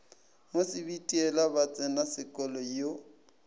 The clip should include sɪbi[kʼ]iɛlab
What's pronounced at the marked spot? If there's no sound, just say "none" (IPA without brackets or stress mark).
tʼ